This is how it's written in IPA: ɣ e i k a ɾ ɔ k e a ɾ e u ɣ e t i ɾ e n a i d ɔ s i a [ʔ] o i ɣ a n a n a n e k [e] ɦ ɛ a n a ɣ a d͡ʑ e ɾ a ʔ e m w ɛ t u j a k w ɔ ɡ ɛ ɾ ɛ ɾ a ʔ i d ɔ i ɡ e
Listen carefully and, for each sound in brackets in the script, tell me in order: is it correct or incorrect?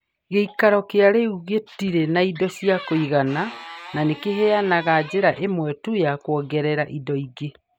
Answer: incorrect, correct

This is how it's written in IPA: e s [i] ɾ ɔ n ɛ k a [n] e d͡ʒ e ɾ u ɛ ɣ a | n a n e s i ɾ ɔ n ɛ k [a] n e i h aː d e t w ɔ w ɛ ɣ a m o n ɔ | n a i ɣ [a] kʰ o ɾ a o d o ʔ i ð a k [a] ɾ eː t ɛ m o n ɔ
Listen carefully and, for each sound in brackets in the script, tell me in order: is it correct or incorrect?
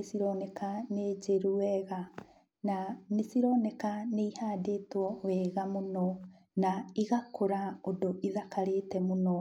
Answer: correct, correct, correct, correct, correct

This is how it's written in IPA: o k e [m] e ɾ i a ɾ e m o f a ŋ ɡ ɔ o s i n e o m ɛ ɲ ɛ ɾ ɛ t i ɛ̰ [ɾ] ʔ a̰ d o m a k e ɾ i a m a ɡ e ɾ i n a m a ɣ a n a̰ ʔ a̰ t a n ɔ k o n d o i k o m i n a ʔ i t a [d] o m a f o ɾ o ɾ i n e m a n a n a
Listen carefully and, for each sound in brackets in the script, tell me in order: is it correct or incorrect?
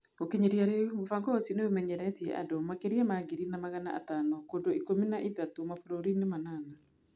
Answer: incorrect, incorrect, incorrect

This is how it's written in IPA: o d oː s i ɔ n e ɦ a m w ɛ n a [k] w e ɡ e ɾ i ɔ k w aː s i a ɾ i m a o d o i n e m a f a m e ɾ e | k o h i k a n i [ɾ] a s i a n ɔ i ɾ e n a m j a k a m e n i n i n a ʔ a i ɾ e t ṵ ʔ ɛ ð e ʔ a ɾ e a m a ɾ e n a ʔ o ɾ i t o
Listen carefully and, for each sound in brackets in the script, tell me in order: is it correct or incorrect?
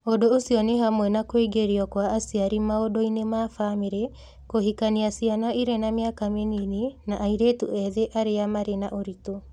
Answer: correct, incorrect

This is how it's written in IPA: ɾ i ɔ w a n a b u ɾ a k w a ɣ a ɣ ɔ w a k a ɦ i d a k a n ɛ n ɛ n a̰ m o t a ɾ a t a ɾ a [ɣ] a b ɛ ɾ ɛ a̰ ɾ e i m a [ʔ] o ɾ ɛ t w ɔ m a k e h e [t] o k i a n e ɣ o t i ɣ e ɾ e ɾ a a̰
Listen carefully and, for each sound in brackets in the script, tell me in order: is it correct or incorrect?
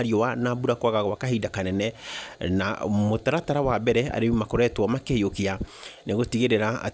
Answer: incorrect, incorrect, incorrect

